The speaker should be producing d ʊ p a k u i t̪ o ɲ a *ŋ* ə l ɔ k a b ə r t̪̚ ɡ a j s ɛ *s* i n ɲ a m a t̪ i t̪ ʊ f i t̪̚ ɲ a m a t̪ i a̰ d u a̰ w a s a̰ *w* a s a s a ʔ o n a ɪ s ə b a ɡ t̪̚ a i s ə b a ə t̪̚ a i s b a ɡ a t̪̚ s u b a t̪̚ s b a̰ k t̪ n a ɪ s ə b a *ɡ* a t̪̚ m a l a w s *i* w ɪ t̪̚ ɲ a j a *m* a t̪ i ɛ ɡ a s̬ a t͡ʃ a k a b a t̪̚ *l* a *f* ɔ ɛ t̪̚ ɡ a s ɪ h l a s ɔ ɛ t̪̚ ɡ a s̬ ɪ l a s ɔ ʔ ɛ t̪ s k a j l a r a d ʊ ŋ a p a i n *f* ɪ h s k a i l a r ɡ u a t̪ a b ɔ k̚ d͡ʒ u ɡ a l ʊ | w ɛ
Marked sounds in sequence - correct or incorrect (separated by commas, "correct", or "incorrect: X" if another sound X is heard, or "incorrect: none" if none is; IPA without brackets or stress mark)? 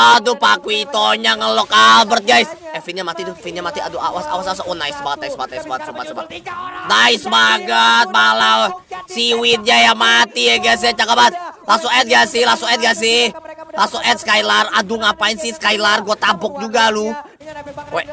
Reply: correct, incorrect: f, correct, correct, correct, correct, correct, incorrect: s, incorrect: s